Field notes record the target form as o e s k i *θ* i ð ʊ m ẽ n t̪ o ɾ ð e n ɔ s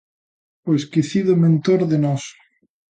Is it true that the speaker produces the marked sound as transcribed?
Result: yes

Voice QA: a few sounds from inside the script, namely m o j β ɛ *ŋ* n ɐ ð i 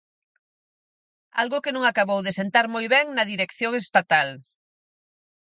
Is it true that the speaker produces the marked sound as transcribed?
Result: yes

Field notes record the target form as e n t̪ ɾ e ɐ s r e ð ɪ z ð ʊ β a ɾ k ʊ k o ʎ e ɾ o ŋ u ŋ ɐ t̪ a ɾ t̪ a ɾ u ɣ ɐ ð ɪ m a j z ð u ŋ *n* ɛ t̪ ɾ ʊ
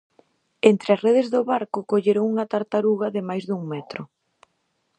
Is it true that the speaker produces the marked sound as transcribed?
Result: no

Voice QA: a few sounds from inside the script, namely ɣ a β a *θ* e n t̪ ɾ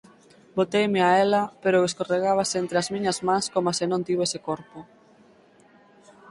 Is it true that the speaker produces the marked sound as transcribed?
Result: no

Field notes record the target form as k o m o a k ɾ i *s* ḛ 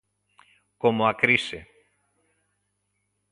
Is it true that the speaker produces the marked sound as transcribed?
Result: yes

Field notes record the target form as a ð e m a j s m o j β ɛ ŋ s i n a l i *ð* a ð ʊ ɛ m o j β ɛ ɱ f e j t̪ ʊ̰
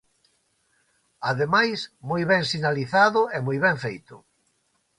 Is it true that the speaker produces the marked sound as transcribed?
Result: no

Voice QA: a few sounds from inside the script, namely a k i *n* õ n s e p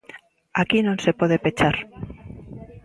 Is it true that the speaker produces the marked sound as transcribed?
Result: yes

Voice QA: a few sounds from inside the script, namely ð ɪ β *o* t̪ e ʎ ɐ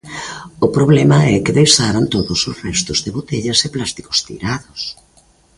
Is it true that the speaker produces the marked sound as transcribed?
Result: yes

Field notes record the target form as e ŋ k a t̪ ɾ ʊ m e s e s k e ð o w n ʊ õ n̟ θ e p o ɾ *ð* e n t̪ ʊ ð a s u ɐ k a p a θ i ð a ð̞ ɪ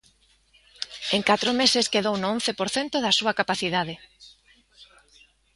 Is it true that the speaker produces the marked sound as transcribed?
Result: no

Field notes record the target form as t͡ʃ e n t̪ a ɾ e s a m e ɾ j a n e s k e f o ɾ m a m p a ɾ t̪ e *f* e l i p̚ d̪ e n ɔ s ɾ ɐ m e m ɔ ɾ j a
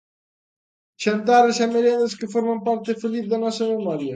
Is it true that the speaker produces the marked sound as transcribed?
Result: yes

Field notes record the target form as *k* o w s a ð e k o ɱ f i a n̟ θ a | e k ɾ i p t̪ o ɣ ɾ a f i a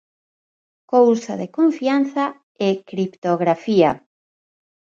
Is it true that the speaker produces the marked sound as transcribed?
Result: yes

